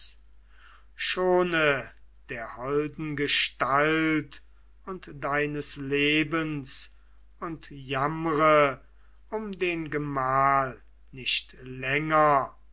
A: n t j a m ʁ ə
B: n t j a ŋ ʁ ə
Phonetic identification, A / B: A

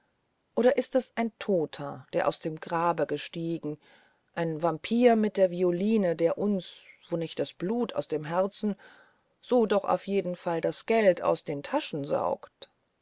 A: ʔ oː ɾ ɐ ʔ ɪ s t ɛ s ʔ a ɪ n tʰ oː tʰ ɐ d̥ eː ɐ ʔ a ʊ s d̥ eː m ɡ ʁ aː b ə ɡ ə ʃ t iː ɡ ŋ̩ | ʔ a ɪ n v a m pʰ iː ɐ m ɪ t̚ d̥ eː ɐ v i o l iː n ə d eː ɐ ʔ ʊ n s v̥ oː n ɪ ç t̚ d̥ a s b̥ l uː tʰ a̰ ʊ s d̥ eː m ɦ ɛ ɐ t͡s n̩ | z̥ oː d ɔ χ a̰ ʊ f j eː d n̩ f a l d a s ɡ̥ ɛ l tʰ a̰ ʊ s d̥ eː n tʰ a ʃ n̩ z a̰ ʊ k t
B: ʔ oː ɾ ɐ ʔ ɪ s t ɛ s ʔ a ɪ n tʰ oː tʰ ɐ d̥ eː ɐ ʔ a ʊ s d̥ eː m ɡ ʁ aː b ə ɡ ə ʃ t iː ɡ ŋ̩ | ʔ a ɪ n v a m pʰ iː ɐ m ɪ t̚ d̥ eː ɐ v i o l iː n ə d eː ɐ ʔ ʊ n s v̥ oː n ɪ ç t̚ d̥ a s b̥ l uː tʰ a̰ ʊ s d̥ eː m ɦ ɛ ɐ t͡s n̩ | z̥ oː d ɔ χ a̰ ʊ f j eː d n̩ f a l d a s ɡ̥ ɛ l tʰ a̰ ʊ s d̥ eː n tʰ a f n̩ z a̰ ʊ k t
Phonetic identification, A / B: A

